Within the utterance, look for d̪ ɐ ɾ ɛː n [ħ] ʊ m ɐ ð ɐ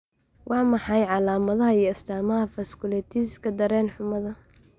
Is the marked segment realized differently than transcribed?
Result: no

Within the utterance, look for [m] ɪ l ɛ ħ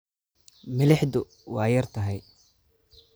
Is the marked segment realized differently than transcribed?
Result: no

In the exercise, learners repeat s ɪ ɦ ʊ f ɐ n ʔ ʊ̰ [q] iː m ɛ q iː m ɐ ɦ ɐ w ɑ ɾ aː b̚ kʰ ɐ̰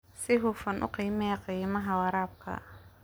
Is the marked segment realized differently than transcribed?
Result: no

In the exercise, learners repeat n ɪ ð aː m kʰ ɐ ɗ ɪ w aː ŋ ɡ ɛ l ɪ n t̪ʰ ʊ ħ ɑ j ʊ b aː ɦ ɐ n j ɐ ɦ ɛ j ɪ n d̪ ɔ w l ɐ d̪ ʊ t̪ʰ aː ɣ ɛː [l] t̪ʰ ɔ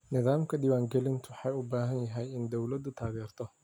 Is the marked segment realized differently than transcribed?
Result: yes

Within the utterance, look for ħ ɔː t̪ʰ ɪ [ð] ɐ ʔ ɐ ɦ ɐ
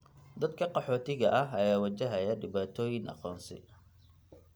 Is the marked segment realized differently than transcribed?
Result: yes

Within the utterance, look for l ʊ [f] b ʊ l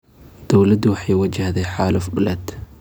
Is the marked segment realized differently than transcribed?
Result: no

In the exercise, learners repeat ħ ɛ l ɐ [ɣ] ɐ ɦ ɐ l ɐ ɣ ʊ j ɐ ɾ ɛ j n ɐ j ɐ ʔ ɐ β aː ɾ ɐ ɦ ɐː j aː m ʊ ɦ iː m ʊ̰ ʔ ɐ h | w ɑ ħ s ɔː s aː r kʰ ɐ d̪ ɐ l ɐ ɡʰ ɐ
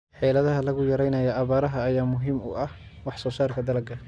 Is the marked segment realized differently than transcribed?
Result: yes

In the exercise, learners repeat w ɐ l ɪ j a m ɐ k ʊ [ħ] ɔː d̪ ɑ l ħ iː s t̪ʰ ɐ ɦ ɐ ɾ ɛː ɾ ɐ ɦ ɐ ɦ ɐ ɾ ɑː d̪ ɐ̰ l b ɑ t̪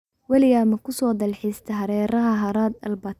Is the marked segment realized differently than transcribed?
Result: yes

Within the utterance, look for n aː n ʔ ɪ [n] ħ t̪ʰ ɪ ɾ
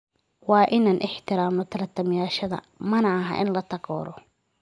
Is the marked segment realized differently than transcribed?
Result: yes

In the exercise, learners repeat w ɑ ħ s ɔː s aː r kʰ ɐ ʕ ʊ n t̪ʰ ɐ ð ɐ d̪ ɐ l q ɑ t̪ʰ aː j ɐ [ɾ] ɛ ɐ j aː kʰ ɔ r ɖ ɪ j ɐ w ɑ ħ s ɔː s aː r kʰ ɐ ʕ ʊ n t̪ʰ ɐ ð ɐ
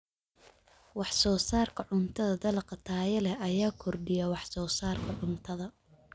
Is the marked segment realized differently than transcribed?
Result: yes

